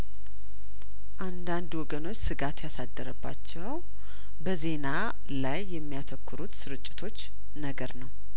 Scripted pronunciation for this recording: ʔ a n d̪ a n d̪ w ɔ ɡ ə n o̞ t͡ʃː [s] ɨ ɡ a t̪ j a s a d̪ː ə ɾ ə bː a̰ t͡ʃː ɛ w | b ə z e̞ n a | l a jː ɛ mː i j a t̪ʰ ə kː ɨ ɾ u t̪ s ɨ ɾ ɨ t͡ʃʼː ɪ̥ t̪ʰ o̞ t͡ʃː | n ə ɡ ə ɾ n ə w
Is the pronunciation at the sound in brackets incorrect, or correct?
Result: correct